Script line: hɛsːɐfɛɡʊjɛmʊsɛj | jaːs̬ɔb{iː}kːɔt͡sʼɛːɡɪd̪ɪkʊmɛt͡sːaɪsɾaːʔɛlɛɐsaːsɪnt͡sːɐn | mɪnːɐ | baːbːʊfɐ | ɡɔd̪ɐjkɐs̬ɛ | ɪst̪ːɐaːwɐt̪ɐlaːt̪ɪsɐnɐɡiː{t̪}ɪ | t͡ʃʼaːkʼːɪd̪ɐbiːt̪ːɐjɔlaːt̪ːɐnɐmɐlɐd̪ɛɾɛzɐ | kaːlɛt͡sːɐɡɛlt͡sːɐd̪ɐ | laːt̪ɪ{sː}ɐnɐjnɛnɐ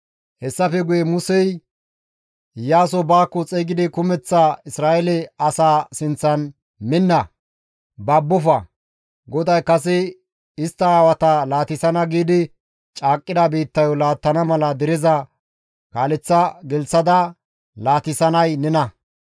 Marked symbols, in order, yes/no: no, no, no

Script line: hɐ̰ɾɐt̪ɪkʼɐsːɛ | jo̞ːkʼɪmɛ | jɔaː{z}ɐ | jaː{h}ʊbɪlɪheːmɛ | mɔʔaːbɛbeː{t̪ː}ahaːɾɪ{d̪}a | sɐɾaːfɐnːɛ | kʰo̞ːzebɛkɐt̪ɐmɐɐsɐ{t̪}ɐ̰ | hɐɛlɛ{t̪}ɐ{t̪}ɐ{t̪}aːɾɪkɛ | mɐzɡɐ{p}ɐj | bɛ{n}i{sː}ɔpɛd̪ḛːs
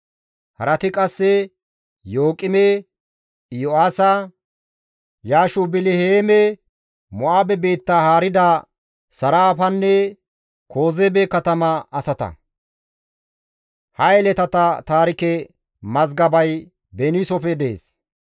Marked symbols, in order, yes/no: no, no, yes, yes, yes, yes, yes, yes, no, yes, no

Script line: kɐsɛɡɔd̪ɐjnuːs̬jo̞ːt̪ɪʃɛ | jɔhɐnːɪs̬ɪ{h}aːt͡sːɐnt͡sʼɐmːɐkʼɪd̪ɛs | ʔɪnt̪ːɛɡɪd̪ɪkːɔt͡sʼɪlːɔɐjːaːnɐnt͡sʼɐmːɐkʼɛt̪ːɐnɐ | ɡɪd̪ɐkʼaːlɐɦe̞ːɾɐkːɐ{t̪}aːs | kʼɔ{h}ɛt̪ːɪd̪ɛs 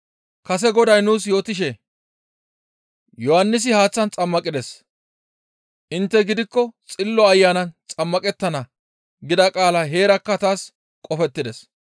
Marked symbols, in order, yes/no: yes, yes, no

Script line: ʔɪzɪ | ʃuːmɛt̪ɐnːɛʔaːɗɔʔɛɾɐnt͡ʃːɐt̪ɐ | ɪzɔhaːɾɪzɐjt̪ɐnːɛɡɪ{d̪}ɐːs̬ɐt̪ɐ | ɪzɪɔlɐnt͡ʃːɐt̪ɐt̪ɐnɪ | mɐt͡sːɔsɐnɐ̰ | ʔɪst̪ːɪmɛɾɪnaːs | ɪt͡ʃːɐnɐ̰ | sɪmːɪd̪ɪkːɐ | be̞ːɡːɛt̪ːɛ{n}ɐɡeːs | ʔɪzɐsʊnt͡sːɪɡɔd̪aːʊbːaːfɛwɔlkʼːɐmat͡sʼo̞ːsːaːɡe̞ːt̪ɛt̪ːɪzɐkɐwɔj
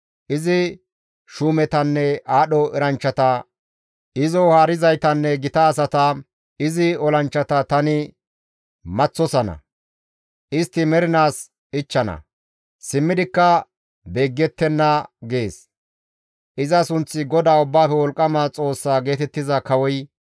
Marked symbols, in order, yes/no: no, no

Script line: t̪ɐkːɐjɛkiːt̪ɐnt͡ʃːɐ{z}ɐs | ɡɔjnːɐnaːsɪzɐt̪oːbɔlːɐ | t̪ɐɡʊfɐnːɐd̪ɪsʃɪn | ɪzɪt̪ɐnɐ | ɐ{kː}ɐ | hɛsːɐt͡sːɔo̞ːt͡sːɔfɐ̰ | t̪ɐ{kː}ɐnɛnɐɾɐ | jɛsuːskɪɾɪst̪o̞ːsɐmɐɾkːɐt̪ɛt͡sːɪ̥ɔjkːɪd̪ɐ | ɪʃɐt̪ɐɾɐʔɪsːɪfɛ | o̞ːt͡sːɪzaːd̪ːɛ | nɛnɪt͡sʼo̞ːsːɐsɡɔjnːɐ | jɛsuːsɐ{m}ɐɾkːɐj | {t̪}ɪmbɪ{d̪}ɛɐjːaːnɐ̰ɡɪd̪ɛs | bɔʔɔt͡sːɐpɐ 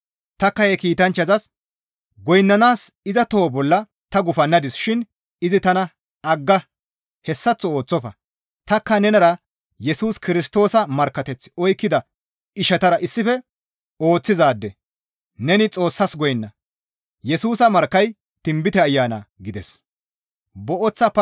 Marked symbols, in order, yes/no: yes, no, yes, yes, yes, no

